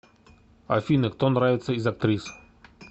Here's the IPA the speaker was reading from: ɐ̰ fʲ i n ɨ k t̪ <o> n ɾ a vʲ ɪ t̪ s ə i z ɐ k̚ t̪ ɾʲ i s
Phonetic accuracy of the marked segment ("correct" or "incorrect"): correct